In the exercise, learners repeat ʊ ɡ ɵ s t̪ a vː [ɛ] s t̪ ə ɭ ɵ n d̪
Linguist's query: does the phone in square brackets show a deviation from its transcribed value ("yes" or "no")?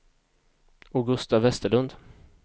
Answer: no